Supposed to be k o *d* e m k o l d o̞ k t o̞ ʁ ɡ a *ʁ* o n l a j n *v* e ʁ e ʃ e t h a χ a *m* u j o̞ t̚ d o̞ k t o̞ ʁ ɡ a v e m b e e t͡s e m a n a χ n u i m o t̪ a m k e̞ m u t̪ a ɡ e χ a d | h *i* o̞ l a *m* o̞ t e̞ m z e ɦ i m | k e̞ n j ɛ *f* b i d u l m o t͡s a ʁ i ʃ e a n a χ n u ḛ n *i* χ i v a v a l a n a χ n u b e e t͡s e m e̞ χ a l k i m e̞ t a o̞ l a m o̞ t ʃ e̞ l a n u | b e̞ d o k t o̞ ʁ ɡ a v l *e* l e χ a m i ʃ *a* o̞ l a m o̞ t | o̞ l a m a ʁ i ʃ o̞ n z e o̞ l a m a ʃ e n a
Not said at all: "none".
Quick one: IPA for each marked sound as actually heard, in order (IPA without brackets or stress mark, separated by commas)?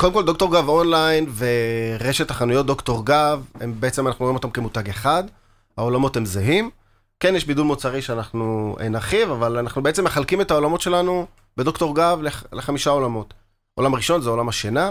d, v, v, n, a, m, ʃ, a, e, a